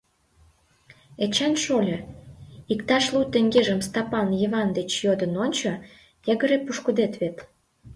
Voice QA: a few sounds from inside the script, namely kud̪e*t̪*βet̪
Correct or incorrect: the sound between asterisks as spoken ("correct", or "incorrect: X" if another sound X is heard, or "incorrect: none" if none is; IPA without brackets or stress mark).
correct